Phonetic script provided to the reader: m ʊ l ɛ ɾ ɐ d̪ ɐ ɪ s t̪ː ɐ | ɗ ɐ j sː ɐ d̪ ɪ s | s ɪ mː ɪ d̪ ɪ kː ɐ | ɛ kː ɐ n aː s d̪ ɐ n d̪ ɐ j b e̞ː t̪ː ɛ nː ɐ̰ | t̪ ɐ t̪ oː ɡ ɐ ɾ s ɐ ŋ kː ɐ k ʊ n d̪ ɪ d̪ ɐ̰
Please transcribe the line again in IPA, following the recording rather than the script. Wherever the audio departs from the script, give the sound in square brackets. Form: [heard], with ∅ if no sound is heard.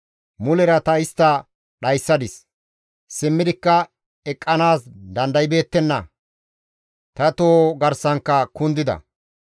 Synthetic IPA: m ʊ l ɛ ɾ ɐ [t̪] ɐ ɪ s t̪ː ɐ | ɗ ɐ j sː ɐ d̪ ɪ s | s ɪ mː ɪ d̪ ɪ kː ɐ | ɛ [kʼː] ɐ n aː s d̪ ɐ n d̪ ɐ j b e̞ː t̪ː ɛ nː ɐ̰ | t̪ ɐ t̪ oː ɡ ɐ ɾ s ɐ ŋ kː ɐ k ʊ n d̪ ɪ d̪ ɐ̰